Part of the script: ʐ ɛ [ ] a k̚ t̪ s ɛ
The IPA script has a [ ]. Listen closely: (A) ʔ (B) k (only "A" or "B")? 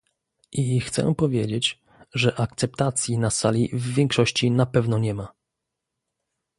A